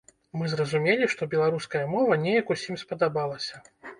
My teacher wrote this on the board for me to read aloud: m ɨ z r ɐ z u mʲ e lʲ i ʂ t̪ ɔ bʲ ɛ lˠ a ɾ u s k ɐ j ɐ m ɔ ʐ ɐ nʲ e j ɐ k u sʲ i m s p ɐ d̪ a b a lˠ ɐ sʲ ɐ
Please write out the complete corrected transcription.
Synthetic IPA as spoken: m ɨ z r ɐ z u mʲ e lʲ i ʂ t̪ ɔ bʲ ɛ lˠ a ɾ u s k ɐ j ɐ m ɔ v ɐ nʲ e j ɐ k u sʲ i m s p ɐ d̪ a b a lˠ ɐ sʲ ɐ